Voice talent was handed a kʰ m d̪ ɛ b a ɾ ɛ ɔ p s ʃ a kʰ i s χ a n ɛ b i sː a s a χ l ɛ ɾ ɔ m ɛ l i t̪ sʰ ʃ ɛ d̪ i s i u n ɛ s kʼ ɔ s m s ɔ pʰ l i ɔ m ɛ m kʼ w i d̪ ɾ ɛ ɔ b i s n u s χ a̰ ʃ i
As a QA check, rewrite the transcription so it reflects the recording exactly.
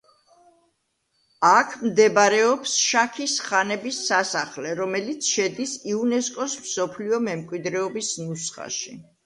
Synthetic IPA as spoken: a kʰ m d̪ ɛ b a ɾ ɛ ɔ p s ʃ a kʰ i s χ a n ɛ b i sː a s a χ l ɛ ɾ ɔ m ɛ l i t̪ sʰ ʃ ɛ d̪ i s i u n ɛ s kʼ ɔ s m s ɔ pʰ l i ɔ m ɛ m kʼ w i d̪ ɾ ɛ ɔ b i s n u s χ a̰ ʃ i